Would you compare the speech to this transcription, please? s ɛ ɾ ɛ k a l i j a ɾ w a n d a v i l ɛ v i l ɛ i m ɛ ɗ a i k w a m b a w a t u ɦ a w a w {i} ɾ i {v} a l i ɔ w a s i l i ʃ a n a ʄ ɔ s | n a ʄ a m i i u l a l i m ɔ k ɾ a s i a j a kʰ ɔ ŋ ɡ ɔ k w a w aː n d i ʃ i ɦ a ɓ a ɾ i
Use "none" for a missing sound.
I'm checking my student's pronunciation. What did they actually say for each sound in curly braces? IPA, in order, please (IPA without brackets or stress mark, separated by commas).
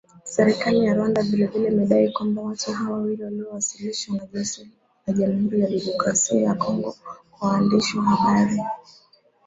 i, w